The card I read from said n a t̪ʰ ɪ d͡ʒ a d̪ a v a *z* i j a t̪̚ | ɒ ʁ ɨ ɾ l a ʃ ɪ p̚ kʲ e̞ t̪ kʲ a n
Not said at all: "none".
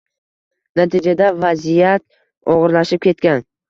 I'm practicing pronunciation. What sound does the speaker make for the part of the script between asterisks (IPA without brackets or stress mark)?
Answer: z